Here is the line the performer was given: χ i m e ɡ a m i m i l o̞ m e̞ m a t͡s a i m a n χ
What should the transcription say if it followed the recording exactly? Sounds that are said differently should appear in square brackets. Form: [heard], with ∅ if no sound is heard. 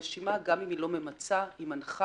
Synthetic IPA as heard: [ʃ] i m [a] ɡ a m i m i l o̞ m e̞ m a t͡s a i m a n χ